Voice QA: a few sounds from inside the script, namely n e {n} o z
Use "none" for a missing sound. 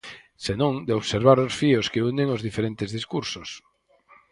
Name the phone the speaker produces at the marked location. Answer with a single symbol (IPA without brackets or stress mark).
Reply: ŋ